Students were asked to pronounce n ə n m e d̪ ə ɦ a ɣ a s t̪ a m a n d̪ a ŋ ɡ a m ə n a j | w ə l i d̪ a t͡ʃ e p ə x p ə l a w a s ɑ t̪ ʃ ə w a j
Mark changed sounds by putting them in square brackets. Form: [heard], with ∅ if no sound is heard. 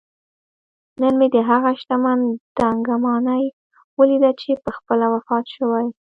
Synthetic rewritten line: n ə n m e d̪ ə ɦ a ɣ a [ʃ] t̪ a m a n d̪ a ŋ ɡ a m [ɑ] n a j | w ə l i d̪ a t͡ʃ e p ə x p ə l a w a [f] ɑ t̪ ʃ ə w a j